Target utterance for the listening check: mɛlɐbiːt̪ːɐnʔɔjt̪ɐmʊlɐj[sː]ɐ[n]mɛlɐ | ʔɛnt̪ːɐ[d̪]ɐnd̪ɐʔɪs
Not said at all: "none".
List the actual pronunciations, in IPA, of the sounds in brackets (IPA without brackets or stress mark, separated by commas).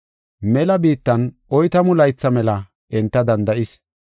t͡sː, none, d̪